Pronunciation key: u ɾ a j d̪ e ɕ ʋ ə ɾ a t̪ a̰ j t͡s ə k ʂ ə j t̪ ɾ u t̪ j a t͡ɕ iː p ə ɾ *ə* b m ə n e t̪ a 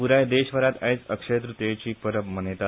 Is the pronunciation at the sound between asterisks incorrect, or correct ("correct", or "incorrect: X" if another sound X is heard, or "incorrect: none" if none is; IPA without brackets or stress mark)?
correct